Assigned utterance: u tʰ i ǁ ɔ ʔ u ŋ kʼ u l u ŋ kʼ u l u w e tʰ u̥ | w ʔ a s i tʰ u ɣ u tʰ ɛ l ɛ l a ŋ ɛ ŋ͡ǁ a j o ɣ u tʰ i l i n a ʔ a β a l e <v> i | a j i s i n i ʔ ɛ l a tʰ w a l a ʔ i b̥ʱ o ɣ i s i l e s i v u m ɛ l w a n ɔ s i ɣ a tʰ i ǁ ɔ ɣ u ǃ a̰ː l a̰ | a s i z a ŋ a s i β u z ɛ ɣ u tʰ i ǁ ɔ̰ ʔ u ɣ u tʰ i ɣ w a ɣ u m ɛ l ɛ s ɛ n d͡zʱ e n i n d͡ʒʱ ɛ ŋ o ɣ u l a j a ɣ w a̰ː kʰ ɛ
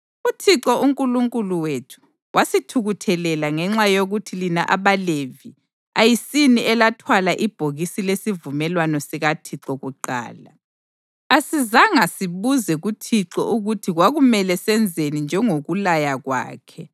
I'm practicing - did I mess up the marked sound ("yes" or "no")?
no